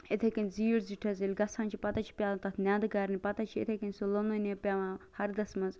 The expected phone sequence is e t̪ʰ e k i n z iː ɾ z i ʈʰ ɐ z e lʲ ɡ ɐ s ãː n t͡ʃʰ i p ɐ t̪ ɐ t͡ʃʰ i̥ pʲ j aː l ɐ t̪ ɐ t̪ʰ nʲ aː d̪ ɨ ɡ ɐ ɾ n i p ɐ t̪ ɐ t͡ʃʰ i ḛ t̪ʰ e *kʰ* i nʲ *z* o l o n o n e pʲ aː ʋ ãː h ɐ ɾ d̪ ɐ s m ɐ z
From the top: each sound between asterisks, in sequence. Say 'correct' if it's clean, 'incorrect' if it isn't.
incorrect, incorrect

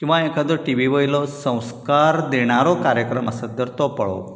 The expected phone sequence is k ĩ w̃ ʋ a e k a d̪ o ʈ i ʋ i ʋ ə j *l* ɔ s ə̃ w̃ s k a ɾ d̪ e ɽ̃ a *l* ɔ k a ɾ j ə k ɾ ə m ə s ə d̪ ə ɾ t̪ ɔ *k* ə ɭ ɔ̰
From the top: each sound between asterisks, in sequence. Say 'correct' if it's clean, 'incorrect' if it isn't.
correct, incorrect, incorrect

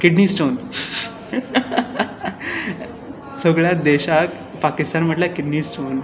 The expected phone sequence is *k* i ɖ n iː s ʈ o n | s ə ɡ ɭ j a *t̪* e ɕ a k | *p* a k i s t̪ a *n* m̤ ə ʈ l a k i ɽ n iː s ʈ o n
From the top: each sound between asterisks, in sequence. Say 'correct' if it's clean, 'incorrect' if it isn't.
correct, incorrect, correct, correct

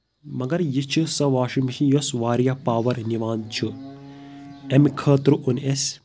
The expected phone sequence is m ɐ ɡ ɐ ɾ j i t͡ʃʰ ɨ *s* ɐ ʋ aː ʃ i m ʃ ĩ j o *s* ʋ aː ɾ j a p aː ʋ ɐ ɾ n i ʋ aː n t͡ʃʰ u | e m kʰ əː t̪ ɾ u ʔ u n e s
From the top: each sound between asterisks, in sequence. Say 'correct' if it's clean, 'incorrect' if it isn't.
correct, correct

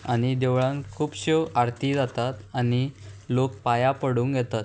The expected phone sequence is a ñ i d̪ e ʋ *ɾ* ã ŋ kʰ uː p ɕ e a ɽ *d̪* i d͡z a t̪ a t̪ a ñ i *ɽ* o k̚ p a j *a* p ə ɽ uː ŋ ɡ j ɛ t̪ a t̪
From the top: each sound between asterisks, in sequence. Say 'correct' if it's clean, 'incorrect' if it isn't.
incorrect, incorrect, incorrect, correct

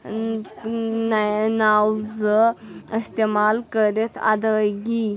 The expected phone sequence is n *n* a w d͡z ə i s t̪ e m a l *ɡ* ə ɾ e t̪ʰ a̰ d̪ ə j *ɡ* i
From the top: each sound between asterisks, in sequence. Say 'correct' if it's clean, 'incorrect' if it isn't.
correct, incorrect, correct

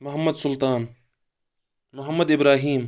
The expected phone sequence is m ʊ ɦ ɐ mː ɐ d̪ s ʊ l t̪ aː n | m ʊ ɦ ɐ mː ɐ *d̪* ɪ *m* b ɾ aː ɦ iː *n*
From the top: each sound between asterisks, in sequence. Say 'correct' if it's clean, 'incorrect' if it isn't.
correct, incorrect, incorrect

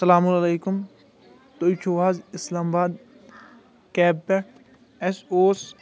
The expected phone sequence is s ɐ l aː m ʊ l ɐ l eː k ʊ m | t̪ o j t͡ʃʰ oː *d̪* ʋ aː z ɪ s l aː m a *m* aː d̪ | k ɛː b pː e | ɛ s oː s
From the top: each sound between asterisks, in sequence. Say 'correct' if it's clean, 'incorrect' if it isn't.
incorrect, incorrect

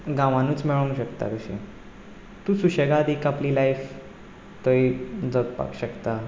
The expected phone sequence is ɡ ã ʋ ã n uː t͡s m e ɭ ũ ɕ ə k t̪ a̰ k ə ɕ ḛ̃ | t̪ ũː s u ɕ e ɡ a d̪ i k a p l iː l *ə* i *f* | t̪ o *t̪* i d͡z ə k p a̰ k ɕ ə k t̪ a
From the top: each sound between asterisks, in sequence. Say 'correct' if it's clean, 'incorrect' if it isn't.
incorrect, correct, incorrect

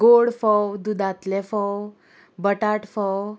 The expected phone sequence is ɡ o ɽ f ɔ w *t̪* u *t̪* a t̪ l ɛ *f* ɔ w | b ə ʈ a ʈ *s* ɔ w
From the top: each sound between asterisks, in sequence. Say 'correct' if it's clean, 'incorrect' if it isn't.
incorrect, incorrect, correct, incorrect

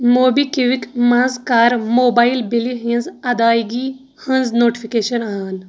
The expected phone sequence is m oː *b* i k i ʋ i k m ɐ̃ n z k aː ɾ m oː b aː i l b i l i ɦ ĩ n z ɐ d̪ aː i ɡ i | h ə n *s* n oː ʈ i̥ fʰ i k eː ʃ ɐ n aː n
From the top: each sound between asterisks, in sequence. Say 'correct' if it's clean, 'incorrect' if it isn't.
correct, incorrect

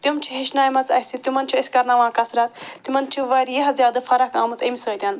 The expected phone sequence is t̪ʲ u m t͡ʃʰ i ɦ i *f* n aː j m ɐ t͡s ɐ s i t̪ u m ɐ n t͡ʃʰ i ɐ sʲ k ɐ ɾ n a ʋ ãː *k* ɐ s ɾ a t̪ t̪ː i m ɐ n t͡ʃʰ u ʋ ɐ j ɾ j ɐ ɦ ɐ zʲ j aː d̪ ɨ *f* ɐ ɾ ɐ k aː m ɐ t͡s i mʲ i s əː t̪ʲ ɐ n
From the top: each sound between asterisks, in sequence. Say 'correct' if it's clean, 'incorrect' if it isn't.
incorrect, correct, correct

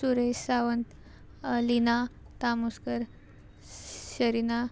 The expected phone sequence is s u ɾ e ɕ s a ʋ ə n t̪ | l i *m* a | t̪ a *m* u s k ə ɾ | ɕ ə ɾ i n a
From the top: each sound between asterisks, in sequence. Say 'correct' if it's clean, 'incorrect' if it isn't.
incorrect, correct

